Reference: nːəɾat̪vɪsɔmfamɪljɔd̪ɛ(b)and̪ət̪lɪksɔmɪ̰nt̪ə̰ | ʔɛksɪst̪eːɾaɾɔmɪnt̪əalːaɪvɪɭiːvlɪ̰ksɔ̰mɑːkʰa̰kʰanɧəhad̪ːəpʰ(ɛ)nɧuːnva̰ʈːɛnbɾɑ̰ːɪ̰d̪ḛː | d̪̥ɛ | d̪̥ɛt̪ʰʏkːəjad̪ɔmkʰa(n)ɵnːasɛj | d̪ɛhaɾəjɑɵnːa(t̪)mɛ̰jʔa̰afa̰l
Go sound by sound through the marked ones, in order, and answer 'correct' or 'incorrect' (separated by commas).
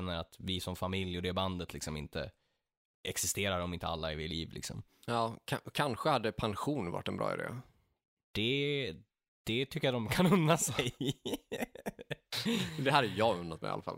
correct, incorrect, correct, correct